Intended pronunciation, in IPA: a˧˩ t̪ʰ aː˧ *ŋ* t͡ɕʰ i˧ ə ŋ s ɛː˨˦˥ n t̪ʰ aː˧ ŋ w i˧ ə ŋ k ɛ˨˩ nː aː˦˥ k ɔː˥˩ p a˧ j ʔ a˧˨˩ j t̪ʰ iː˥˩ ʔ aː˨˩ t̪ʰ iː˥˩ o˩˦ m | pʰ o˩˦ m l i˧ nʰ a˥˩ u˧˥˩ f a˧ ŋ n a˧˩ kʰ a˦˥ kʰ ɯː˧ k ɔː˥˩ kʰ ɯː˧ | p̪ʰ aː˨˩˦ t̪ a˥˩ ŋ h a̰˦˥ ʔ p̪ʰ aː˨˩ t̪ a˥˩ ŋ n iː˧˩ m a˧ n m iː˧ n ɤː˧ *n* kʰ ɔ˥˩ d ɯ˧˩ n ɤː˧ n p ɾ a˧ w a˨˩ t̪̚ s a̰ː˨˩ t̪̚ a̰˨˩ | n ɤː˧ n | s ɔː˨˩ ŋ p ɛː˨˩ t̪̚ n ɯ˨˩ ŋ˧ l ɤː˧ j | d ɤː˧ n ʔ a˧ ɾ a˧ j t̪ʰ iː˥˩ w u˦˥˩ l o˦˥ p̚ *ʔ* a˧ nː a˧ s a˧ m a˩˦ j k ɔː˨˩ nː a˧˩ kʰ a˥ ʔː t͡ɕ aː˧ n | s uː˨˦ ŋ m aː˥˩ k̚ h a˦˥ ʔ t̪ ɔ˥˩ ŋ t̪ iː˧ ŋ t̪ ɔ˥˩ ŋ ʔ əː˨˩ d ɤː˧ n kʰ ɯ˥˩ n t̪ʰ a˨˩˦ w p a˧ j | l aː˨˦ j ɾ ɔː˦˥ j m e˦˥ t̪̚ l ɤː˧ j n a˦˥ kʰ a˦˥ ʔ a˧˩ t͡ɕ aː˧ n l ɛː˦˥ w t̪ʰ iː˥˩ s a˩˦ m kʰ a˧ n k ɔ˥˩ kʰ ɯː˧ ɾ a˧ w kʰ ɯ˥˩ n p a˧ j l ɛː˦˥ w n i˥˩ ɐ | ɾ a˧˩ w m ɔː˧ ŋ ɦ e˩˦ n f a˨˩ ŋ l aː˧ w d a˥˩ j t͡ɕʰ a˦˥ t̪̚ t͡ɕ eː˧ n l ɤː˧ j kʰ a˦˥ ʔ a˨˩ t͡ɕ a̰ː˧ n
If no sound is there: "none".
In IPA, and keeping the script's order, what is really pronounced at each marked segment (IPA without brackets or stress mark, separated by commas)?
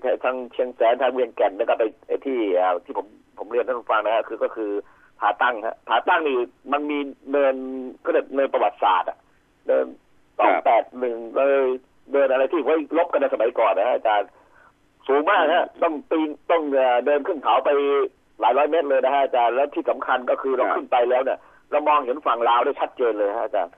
ŋ, n, k